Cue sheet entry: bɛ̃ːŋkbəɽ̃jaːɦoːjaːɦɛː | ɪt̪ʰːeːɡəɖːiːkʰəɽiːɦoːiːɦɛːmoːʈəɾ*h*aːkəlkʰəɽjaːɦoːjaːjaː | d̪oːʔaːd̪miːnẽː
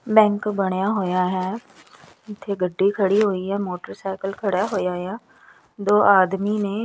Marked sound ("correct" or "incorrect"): incorrect